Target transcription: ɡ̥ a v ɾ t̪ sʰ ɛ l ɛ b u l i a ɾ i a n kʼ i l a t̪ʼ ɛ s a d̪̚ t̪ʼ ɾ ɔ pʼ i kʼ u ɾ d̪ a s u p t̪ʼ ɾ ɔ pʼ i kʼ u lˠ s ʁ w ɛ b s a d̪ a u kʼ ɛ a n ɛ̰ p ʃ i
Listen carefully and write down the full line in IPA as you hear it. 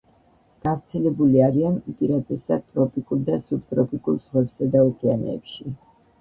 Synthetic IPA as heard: ɡ̥ a v ɾ t̪ sʰ ɛ l ɛ b u l i a ɾ i a n pʼ i ɾ a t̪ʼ ɛ s a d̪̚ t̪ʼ ɾ ɔ pʼ i kʼ u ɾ d̪ a s u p t̪ʼ ɾ ɔ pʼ i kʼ u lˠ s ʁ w ɛ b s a d̪ a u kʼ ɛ a n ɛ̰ p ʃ i